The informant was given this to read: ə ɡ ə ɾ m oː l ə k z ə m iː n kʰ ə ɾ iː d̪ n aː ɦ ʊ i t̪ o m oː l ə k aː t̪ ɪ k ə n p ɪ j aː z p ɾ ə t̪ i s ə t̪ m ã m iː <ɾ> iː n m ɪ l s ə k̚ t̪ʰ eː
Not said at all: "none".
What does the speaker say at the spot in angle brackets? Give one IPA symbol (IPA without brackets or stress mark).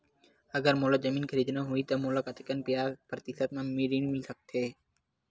ɾ